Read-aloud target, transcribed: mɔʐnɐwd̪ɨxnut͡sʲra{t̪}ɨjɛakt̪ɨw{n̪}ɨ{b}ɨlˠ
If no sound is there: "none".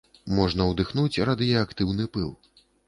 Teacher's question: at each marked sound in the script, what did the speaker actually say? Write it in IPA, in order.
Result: d̪, n̪, p

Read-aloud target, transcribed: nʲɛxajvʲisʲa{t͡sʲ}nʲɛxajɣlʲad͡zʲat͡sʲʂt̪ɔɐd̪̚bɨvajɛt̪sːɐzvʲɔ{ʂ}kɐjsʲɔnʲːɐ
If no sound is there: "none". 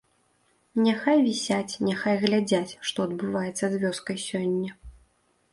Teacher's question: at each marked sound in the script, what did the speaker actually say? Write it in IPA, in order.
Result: t͡sʲ, s

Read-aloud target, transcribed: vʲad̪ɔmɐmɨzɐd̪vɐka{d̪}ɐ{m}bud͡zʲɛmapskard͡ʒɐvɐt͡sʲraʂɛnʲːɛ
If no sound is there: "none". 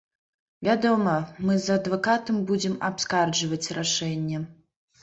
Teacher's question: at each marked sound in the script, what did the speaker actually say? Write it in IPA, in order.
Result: t̪, m

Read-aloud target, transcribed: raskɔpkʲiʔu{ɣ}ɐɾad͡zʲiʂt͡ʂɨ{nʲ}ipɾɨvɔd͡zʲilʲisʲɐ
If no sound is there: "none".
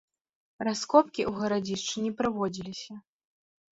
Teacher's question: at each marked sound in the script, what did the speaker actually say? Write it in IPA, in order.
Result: ɣ, nʲ

